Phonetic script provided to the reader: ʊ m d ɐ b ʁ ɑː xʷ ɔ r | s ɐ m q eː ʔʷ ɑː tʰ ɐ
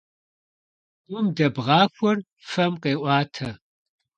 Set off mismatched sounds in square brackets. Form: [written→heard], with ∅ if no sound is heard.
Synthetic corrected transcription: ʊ m d ɐ b ʁ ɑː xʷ ɔ r | [s→f] ɐ m q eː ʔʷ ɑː tʰ ɐ